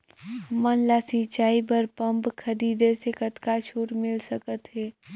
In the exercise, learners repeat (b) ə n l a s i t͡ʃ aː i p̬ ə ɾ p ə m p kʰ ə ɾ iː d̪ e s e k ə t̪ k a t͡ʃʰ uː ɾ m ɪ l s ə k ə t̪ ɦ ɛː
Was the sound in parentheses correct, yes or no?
no